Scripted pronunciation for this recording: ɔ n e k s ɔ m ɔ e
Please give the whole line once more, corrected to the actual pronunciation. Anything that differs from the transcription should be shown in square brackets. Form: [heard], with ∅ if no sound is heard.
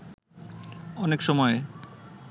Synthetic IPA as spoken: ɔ n e k [ʃ] ɔ m ɔ e